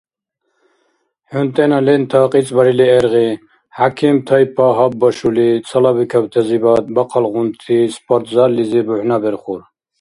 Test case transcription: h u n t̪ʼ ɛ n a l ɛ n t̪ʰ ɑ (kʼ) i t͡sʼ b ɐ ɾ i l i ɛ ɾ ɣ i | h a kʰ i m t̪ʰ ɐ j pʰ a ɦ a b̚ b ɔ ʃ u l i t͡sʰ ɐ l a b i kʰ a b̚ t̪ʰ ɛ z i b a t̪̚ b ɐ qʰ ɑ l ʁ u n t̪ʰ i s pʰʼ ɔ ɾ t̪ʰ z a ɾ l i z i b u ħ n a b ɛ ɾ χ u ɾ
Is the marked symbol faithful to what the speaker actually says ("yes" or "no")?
no